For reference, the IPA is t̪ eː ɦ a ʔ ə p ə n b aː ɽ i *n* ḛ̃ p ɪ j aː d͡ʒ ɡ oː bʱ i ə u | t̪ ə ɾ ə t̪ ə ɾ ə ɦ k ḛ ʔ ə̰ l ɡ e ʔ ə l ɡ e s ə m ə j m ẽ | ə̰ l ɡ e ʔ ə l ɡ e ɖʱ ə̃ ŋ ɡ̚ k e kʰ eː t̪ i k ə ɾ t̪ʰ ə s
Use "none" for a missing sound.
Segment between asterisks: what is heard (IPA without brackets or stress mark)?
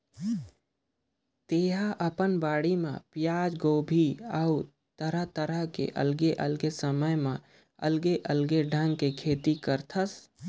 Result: m